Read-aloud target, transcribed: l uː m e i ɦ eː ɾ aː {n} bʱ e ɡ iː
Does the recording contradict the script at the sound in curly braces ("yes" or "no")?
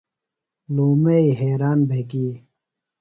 no